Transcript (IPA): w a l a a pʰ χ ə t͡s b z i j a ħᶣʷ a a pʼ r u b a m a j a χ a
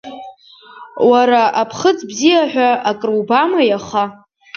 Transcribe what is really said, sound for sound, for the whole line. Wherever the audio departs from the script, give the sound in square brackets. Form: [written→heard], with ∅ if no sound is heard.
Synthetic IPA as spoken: w a [l→ɾ] a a pʰ χ ə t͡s b z i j a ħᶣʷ a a [pʼ→kʼ] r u b a m a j a χ a